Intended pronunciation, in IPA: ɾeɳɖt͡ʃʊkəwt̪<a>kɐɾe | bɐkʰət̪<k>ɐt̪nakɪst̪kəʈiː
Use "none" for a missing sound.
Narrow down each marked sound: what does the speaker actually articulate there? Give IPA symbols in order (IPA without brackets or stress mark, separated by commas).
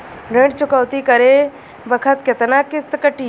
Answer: i, k